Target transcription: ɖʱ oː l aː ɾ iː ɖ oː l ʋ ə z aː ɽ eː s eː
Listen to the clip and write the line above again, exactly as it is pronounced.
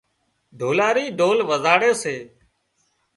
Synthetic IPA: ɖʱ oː l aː ɾ iː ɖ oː l ʋ ə z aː ɽ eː s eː